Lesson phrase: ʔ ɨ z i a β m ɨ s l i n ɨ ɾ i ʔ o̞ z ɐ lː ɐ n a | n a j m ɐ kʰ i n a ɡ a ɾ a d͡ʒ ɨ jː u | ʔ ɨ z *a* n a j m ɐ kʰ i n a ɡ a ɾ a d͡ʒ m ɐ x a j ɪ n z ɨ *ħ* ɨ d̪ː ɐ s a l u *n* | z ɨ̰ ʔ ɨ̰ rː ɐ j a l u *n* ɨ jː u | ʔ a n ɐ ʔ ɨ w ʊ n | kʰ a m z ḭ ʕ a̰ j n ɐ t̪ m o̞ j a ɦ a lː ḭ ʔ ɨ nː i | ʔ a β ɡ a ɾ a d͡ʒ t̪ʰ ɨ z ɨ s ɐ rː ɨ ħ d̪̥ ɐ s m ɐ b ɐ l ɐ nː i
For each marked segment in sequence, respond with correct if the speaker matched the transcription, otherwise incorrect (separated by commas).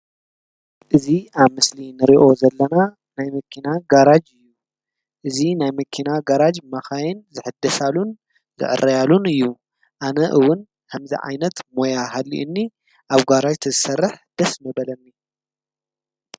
incorrect, correct, correct, correct